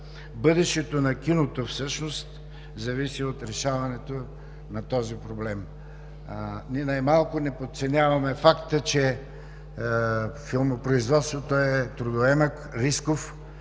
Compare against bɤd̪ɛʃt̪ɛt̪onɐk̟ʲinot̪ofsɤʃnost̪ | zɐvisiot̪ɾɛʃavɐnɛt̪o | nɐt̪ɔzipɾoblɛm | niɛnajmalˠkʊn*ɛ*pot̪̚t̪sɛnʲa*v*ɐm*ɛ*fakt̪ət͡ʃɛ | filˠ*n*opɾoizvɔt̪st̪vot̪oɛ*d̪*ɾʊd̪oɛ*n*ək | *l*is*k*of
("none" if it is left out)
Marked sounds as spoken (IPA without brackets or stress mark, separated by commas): ɛ, v, ɛ, m, t̪, m, ɾ, k